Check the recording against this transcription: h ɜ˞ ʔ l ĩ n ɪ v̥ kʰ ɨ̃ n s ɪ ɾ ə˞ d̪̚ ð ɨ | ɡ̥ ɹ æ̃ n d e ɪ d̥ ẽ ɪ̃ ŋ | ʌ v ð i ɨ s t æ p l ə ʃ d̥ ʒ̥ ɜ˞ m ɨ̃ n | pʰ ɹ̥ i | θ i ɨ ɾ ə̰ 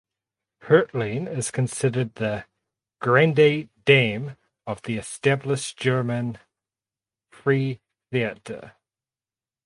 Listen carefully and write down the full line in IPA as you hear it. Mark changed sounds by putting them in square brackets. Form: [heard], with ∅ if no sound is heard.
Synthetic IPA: h ɜ˞ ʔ l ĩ n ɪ [z̥] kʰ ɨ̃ n s ɪ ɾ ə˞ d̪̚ ð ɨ | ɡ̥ ɹ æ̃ n d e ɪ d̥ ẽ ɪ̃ [m] | ʌ v ð i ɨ s t æ [b] l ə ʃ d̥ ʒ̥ ɜ˞ m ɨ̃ n | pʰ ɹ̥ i | θ i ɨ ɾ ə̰